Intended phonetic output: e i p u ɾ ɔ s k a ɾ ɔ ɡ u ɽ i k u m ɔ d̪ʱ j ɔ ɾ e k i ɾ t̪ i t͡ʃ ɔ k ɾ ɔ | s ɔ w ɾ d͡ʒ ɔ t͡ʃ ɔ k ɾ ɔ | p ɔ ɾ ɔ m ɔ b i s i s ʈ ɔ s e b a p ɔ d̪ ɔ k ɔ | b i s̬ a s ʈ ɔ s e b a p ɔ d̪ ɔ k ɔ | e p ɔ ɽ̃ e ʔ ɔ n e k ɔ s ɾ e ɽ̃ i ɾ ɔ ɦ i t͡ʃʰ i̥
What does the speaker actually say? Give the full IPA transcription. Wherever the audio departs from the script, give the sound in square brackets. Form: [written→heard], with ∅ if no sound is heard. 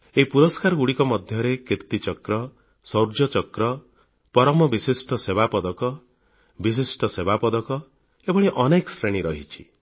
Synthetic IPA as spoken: e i p u ɾ ɔ s k a ɾ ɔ ɡ u ɽ i k [u→ɔ] m ɔ d̪ʱ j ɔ ɾ e k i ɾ t̪ i t͡ʃ ɔ k ɾ ɔ | s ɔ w ɾ d͡ʒ ɔ t͡ʃ ɔ k ɾ ɔ | p ɔ ɾ ɔ m ɔ b i s i s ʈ ɔ s e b a p ɔ d̪ ɔ k ɔ | b i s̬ [a→i] s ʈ ɔ s e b a p ɔ d̪ ɔ k ɔ | e [p→b] ɔ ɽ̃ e ʔ ɔ n e k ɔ s ɾ e ɽ̃ i ɾ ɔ ɦ i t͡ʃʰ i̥

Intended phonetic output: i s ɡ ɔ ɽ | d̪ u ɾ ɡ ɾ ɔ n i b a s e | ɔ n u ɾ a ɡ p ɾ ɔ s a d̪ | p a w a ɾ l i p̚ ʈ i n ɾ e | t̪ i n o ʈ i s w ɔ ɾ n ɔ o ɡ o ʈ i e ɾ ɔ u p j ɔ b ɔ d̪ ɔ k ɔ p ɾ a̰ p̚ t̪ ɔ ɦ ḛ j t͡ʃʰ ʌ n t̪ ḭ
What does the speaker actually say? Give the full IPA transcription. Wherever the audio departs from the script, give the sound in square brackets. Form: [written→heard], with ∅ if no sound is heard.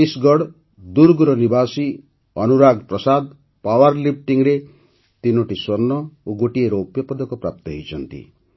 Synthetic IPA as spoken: i s ɡ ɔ ɽ | d̪ u ɾ ɡ ɾ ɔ n i b a s [e→i] | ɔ n u ɾ a ɡ p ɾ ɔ s a d̪ | p a w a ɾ l i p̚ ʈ i [n→ŋ] ɾ e | t̪ i n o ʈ i s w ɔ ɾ n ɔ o ɡ o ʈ i e ɾ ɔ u p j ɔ [b→p] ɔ d̪ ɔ k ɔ p ɾ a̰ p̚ t̪ ɔ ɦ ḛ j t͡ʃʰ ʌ n t̪ ḭ

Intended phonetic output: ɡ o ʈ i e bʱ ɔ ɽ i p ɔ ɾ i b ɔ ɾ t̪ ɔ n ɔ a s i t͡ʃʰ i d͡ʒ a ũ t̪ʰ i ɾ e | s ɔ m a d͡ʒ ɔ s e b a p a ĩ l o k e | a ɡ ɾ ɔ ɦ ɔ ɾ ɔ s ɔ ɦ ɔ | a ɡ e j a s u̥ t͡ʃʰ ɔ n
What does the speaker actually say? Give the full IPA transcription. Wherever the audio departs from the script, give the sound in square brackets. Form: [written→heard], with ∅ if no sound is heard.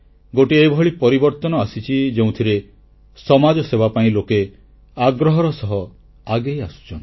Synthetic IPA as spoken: ɡ o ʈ i e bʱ ɔ [ɽ→ɭ] i p ɔ ɾ i b ɔ ɾ t̪ ɔ n ɔ a s i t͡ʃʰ i d͡ʒ [a→e] ũ t̪ʰ i ɾ e | s ɔ m a d͡ʒ ɔ s e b a p a ĩ l o k e | a ɡ ɾ ɔ ɦ ɔ ɾ ɔ s ɔ ɦ ɔ | a ɡ e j a s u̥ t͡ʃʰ ɔ n

